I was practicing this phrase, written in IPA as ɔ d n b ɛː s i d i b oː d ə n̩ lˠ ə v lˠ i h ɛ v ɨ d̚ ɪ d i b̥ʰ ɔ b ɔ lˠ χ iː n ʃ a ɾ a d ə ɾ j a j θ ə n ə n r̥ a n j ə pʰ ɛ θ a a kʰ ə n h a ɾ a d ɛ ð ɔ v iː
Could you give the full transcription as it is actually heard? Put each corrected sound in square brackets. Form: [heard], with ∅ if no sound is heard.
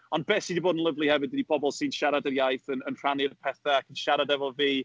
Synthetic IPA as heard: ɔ [∅] n b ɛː s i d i b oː d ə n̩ lˠ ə v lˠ i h ɛ v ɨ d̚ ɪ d i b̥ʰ ɔ b ɔ lˠ [s] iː n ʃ a ɾ a d ə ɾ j a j θ ə n ə n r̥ a n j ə pʰ ɛ θ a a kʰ ə n [ʃ] a ɾ a d ɛ [v] ɔ v iː

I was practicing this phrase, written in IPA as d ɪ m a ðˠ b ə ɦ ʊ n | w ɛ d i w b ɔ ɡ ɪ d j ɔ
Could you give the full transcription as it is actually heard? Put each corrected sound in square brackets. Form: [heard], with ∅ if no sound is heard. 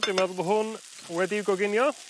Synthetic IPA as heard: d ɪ m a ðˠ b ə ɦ ʊ n | w ɛ d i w [ɡ] ɔ ɡ ɪ [n] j ɔ

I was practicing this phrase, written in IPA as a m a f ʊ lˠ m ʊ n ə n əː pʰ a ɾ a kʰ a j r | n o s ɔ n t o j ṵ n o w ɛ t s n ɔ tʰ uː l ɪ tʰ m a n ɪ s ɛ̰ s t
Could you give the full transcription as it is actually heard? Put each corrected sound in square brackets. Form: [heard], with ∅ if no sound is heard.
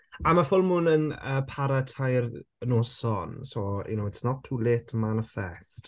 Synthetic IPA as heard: a m a f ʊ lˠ m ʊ n ə n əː pʰ a ɾ a [tʰ] a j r | n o s ɔ n [s] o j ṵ n o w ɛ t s n ɔ tʰ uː l ɪ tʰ m a n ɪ [f] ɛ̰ s t

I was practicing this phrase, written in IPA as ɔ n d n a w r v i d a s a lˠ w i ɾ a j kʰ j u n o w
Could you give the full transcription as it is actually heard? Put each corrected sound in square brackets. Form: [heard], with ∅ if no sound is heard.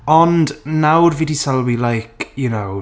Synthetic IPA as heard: ɔ n d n a w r v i d [i] s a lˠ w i [l] a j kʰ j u n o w

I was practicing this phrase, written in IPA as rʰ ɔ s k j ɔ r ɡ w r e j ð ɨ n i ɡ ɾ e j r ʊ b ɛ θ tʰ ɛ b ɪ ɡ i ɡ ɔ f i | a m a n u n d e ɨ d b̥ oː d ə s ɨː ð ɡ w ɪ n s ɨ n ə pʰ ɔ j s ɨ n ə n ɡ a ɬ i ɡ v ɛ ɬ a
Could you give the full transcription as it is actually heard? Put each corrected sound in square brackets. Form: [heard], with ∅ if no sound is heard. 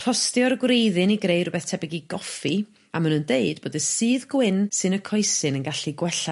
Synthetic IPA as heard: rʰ ɔ s [t] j ɔ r ɡ w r e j ð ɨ n i ɡ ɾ e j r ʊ b ɛ θ tʰ ɛ b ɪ ɡ i ɡ ɔ f i | a m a n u n d e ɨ d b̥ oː d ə s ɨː ð ɡ w ɪ n s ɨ n ə [kʰ] ɔ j s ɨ n ə n ɡ a ɬ i ɡ [w] ɛ ɬ a

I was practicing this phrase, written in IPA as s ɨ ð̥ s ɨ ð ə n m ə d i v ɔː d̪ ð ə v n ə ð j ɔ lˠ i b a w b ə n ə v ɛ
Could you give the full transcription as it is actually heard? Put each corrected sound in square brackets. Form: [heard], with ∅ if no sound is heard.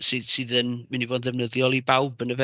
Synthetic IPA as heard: s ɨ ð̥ s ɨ ð ə n m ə [n] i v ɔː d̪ ð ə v n ə ð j ɔ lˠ i b a w b ə n ə v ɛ

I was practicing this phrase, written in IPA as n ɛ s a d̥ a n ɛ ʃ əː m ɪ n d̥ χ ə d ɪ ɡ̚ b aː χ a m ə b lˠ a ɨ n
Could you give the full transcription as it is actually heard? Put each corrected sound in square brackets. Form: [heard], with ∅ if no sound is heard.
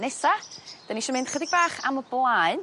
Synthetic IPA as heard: n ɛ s a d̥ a n [i] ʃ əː m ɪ n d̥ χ ə d ɪ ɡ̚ b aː χ a m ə b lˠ a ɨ n

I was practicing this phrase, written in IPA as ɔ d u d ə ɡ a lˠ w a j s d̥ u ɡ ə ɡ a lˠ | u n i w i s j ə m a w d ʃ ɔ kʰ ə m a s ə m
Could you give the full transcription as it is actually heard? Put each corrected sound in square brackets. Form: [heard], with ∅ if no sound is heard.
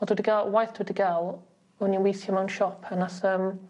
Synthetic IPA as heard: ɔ d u d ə ɡ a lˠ w a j [θ] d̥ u [d] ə ɡ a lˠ | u n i w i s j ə m a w [n] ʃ ɔ [pʰ] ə [n] a s ə m

